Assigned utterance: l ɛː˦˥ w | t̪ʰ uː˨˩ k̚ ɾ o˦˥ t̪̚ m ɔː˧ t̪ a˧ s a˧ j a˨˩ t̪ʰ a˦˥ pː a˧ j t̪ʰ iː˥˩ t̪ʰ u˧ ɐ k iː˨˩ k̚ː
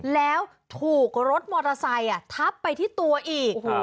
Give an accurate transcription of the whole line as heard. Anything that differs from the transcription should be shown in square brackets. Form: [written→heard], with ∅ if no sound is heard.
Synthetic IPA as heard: l ɛː˦˥ w | t̪ʰ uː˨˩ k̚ ɾ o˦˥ t̪̚ m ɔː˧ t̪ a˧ s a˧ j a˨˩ t̪ʰ a˦˥ pː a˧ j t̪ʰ iː˥˩ [t̪ʰ→t̪] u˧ ɐ [k→ʔ] iː˨˩ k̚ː